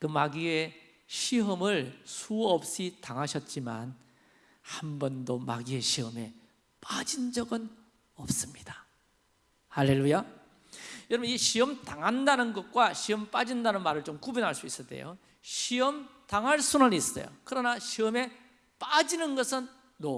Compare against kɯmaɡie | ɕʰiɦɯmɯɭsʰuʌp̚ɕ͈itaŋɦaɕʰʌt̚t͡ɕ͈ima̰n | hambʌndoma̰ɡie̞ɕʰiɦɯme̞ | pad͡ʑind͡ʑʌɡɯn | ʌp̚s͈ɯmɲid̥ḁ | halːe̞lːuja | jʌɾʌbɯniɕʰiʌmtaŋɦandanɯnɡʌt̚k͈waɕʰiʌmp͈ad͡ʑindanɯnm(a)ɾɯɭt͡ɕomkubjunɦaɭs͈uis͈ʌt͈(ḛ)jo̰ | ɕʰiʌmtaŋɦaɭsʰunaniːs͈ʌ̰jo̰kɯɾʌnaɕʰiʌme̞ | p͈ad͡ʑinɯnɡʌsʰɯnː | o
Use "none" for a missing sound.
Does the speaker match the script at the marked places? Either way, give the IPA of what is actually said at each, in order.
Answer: a, ḛ

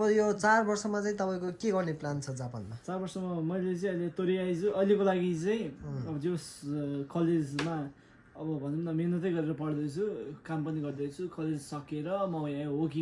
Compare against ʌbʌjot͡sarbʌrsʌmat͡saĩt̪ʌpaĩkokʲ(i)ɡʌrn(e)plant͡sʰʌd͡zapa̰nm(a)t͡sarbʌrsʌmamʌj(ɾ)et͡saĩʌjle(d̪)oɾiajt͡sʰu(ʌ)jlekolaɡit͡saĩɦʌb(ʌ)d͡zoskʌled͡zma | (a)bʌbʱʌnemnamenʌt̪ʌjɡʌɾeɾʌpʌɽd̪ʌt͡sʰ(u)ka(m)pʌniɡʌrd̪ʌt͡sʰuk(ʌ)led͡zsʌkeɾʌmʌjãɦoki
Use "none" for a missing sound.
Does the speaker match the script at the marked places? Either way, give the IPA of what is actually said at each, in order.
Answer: e, e, a, l, t̪, ʌ, ʌ, ʌ, u, m, ʌ

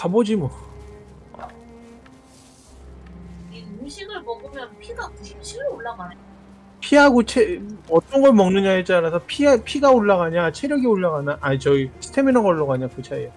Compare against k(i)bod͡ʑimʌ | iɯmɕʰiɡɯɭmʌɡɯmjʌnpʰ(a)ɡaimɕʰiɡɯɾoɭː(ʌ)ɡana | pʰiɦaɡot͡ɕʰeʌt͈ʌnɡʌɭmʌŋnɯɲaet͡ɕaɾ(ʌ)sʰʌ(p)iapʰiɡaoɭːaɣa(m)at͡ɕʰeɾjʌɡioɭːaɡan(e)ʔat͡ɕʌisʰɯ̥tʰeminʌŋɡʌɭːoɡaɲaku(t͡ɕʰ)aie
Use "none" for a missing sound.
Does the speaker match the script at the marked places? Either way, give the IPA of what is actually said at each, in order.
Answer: a, i, a, a, pʰ, ɲ, a, t͡ɕʰ

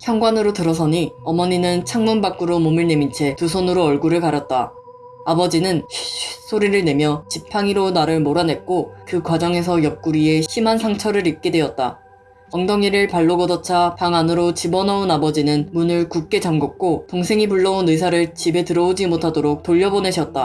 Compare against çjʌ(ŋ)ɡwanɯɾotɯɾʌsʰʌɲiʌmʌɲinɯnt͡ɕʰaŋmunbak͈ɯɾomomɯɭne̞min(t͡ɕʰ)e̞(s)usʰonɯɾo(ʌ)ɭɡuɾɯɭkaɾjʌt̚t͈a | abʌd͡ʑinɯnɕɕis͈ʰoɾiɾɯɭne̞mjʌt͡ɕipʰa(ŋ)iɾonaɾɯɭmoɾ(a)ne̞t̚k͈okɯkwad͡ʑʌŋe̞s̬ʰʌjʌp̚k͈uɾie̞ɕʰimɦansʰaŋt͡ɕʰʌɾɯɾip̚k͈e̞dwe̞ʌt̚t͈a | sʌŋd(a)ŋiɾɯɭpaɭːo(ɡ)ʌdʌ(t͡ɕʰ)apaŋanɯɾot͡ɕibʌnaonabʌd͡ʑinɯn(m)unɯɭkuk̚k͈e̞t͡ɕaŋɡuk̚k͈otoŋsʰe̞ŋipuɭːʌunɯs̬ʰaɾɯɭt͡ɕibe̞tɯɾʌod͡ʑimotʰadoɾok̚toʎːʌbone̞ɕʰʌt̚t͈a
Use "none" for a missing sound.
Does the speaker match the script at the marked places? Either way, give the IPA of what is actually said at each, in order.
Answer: ŋ, t͡ɕʰ, t, ʌ, ŋ, a, ʌ, ɡ, t͡ɕʰ, m

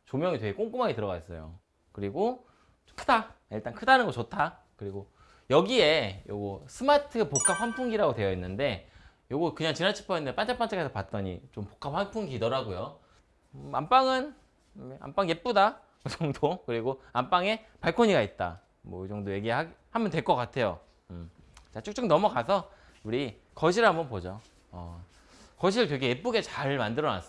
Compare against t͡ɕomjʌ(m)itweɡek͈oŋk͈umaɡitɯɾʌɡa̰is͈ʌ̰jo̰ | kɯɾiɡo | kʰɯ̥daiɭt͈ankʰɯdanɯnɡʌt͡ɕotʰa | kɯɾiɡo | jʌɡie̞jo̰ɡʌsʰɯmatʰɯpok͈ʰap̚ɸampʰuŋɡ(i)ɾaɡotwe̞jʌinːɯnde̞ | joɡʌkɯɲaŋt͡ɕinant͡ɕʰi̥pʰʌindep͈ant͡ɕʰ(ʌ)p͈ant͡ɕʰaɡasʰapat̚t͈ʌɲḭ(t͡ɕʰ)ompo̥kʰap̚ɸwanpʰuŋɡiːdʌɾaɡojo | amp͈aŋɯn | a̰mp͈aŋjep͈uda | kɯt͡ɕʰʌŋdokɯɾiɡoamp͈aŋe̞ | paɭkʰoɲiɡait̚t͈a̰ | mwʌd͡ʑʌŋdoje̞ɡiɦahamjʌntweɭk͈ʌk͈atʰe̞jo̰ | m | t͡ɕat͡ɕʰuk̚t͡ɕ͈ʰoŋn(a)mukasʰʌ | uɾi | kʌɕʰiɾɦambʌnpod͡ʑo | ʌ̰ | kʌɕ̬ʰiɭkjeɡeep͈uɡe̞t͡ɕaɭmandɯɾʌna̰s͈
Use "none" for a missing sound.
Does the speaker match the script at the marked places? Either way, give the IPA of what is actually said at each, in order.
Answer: ŋ, i, a, t͡ɕ, ʌ

